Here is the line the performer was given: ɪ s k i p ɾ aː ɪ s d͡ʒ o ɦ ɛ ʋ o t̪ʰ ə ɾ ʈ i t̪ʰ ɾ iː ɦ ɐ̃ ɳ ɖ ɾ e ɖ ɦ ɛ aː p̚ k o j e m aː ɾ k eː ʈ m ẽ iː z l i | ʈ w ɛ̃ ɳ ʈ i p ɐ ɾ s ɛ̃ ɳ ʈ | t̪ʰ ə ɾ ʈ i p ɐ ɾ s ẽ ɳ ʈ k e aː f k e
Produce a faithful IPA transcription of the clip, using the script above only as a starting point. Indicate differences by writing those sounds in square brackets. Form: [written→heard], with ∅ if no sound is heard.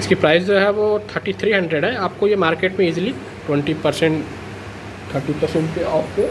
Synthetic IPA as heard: ɪ s k i p ɾ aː ɪ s d͡ʒ o ɦ ɛ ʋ o t̪ʰ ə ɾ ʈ i t̪ʰ ɾ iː ɦ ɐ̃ ɳ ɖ ɾ e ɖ ɦ ɛ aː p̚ k o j e m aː ɾ k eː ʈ m ẽ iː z l i | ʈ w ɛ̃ ɳ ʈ i p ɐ ɾ s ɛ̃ ɳ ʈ | t̪ʰ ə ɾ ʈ i p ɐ ɾ s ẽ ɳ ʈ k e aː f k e